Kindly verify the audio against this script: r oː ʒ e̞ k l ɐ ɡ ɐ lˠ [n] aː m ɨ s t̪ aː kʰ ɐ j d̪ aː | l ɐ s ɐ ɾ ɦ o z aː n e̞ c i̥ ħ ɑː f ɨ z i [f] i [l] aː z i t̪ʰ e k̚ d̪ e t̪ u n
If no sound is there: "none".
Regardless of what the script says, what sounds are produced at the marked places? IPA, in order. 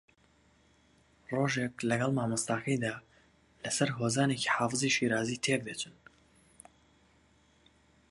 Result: m, ʃ, ɾ

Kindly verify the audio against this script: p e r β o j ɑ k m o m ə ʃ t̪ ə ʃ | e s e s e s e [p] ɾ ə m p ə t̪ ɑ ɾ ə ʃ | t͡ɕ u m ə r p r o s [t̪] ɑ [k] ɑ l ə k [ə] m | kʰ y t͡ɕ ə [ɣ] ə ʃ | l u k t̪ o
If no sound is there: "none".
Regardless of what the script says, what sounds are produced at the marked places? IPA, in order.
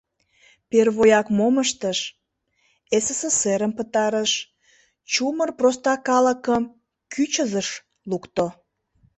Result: none, t̪, k, ə, z

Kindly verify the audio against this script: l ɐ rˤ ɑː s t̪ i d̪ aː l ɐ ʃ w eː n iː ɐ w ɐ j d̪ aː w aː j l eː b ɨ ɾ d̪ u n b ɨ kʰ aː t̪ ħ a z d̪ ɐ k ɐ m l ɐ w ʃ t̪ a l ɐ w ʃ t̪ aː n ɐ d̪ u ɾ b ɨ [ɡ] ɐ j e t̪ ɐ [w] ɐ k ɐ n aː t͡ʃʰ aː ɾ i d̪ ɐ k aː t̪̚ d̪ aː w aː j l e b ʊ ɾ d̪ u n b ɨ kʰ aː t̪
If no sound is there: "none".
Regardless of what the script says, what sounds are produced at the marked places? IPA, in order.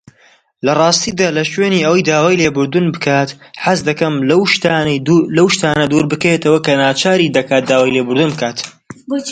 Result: k, w

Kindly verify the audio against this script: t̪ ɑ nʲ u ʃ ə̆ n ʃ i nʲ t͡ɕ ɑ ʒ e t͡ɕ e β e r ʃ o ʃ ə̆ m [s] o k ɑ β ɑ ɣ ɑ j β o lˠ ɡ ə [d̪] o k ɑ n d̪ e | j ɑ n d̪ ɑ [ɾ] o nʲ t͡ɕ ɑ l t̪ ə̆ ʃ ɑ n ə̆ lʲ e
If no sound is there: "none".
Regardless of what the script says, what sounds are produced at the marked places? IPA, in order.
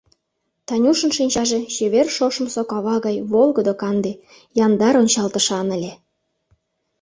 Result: s, d̪, ɾ

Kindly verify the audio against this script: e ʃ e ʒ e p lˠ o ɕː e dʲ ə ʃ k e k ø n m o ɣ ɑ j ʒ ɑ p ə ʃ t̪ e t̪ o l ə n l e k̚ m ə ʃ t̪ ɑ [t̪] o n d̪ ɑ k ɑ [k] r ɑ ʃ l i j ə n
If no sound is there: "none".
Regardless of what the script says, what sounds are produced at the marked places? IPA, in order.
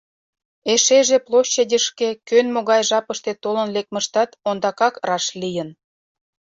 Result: t̪, k

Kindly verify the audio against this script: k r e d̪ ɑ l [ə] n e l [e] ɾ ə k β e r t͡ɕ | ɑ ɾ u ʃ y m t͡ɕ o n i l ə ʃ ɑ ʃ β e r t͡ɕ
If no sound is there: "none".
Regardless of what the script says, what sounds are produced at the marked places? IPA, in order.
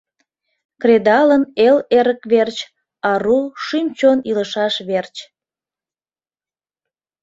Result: ə, e

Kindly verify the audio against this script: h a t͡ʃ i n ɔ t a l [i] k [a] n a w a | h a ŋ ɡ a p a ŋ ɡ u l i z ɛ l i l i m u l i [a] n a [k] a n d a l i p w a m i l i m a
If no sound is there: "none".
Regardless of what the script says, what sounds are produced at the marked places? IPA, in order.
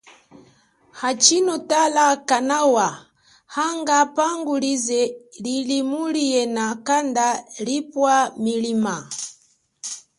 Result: a, a, ɛ, k

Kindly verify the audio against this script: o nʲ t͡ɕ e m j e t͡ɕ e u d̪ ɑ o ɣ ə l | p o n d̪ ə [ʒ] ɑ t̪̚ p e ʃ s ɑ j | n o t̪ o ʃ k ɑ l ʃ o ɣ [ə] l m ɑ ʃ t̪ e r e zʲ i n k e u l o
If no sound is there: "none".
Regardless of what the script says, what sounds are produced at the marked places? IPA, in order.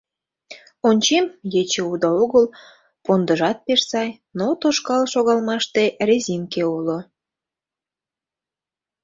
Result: ʒ, ɑ

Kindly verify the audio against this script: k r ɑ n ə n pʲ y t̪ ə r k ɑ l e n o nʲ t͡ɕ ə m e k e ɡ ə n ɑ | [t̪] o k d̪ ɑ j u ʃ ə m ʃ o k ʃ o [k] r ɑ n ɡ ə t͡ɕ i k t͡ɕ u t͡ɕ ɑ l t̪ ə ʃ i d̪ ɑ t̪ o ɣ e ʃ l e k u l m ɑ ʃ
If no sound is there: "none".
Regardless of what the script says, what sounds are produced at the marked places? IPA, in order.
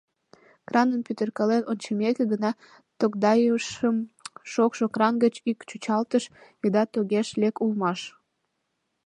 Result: t̪, k

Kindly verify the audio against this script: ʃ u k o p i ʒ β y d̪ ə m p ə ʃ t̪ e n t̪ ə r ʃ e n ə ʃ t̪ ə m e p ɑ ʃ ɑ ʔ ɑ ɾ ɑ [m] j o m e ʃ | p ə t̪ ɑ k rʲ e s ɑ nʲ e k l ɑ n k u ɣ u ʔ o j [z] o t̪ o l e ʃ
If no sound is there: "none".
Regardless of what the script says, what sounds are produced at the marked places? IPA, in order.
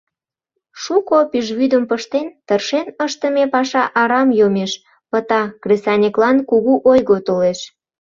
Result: m, ɣ

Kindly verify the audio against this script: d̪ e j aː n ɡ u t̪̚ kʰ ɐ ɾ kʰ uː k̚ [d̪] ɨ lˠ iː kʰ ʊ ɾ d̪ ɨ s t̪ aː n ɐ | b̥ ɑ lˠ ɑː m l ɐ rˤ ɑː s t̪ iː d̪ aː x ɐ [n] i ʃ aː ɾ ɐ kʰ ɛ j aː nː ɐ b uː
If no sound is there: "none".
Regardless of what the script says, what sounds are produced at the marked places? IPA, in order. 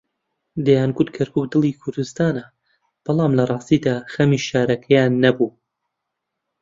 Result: d̪, m

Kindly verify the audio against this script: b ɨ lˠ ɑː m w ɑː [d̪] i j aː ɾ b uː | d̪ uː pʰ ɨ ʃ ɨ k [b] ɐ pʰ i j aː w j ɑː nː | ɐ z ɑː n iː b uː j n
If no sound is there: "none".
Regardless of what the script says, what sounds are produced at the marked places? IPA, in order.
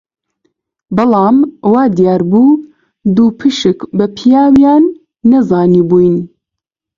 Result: d̪, b

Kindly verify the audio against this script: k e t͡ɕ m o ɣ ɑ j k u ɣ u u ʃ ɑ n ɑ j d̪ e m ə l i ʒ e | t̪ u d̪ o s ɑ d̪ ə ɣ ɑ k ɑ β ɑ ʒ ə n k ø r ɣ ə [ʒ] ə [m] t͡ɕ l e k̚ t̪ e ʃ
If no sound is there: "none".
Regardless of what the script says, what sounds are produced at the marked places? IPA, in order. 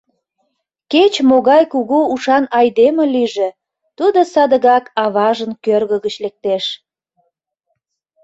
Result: ɣ, none

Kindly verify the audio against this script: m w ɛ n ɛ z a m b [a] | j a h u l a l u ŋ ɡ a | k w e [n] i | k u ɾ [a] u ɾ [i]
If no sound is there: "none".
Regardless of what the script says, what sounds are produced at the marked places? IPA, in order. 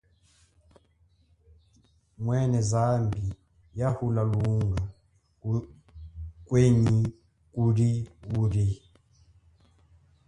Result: i, ɲ, i, i

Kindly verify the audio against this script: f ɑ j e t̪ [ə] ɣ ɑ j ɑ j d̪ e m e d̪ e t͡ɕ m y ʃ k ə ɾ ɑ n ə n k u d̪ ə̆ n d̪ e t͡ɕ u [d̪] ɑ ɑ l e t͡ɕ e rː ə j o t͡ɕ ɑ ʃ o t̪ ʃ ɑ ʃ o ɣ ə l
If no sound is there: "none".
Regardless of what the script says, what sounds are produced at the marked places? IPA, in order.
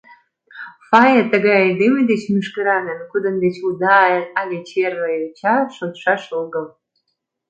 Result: ə, d̪

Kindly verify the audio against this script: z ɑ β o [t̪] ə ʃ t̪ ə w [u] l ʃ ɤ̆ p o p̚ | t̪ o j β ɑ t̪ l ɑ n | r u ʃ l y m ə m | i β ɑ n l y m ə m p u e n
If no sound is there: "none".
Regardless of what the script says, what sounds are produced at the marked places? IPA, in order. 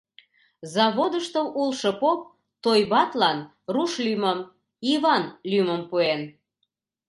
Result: d̪, u

